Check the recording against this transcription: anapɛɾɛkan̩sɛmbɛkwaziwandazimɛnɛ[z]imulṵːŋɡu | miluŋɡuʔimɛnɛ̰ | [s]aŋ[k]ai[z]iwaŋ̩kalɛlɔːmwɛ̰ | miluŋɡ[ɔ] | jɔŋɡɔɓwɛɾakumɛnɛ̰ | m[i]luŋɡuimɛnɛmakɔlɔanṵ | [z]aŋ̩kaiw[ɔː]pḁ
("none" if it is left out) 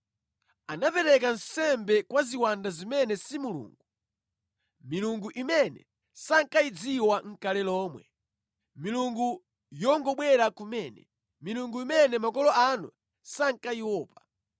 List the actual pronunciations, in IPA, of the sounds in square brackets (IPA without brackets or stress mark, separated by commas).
s, s, k, d͡z, u, i, s, ɔː